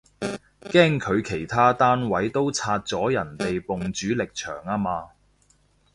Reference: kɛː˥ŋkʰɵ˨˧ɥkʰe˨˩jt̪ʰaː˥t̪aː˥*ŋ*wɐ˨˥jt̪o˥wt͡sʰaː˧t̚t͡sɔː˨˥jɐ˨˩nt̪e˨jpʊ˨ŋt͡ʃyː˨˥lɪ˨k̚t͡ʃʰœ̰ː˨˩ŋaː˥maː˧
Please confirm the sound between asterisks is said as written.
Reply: no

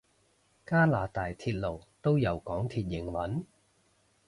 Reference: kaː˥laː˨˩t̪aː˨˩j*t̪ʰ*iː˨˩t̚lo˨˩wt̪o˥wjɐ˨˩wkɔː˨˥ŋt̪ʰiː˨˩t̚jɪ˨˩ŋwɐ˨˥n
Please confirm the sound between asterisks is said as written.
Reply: yes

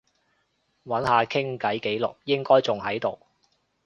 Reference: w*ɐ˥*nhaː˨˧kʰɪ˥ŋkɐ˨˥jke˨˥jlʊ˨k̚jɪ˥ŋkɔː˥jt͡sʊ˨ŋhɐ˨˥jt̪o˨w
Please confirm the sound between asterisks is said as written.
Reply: no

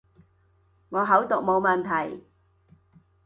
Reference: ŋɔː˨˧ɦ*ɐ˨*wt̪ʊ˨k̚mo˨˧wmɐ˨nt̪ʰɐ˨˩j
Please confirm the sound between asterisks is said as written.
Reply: no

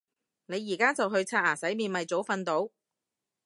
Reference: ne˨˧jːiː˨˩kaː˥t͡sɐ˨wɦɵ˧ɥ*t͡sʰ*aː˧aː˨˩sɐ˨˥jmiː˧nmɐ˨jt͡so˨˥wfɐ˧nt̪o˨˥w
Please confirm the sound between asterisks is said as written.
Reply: yes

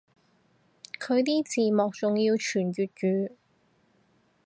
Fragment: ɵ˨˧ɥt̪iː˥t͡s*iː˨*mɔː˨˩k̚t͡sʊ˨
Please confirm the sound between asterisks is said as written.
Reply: yes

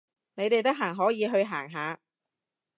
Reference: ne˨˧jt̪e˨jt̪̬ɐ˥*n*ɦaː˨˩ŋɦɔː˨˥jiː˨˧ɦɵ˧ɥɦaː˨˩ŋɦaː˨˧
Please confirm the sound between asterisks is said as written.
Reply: no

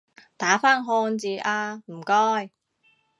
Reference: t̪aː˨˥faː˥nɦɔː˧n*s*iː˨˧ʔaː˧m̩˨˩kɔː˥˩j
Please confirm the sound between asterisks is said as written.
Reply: no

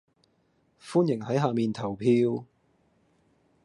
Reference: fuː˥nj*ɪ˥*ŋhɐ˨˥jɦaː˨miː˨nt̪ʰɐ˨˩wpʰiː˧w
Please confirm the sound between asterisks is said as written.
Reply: no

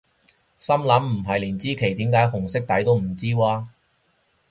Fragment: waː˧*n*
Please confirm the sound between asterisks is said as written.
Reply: no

